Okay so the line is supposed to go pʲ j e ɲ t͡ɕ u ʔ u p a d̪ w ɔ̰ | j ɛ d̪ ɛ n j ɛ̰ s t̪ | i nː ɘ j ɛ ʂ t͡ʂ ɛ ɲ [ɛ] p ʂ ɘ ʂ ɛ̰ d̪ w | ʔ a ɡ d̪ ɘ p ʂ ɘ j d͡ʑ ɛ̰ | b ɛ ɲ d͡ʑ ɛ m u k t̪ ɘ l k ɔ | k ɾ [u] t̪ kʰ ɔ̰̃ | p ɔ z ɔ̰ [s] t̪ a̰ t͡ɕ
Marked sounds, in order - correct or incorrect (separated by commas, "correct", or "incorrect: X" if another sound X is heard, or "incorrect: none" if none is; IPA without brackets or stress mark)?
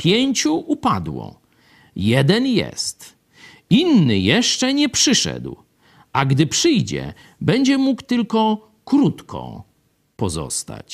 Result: correct, correct, correct